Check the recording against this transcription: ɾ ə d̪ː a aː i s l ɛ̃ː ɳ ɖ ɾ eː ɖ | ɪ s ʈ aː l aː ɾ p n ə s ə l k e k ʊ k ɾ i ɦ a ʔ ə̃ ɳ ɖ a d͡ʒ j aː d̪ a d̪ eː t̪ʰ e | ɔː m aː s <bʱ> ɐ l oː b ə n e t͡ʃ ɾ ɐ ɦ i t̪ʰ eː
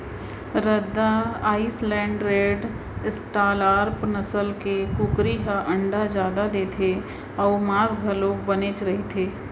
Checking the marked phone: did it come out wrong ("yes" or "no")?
yes